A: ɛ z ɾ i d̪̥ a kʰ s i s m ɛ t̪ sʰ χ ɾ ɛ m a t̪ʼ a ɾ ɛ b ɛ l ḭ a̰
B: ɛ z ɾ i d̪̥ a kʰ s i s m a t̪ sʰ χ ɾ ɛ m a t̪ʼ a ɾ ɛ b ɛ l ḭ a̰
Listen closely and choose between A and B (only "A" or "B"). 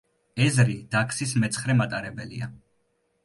A